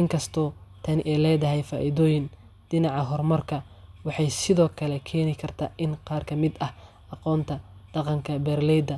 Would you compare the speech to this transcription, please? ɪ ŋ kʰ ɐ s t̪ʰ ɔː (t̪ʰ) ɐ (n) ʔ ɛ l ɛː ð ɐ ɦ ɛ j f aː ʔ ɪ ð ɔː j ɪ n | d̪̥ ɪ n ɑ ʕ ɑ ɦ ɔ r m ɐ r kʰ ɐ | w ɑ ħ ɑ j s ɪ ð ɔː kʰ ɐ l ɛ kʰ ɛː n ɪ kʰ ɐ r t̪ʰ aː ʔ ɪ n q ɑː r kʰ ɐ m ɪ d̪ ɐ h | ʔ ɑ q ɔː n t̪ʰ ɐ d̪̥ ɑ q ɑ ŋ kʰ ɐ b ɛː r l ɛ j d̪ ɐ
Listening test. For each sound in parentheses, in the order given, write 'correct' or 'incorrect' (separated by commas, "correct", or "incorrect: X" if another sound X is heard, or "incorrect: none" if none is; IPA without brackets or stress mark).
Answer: correct, correct